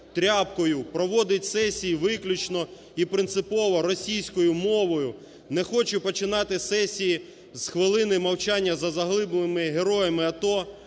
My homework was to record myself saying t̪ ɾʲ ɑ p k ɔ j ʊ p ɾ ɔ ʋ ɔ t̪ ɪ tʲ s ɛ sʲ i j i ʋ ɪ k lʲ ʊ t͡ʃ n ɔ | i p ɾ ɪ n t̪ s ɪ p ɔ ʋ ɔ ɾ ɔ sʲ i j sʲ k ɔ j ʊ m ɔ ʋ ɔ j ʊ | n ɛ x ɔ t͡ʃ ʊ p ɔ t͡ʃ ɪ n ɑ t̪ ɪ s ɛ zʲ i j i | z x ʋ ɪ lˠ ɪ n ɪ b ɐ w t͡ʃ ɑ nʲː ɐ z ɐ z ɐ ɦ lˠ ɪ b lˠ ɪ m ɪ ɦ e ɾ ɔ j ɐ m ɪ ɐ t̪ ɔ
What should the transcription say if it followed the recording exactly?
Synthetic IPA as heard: t̪ ɾʲ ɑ p k ɔ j ʊ p ɾ ɔ ʋ ɔ d̪ ɪ tʲ s ɛ sʲ i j i ʋ ɪ k lʲ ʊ t͡ʃ n ɔ | i p ɾ ɪ n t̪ s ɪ p ɔ ʋ ɔ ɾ ɔ sʲ i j sʲ k ɔ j ʊ m ɔ ʋ ɔ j ʊ | n ɛ x ɔ t͡ʃ ʊ p ɔ t͡ʃ ɪ n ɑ t̪ ɪ s ɛ sʲ i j i | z x ʋ ɪ lˠ ɪ n ɪ m ɐ w t͡ʃ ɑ nʲː ɐ z ɐ z ɐ ɦ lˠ ɪ b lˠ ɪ m ɪ ɦ e ɾ ɔ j ɐ m ɪ ɐ t̪ ɔ